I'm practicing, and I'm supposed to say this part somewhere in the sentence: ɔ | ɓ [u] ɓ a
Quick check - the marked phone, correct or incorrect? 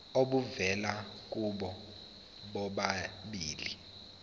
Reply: incorrect